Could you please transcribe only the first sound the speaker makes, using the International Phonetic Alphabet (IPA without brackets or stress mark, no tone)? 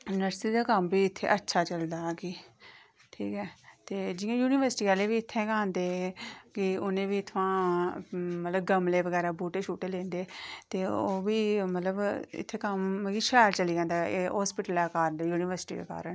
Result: n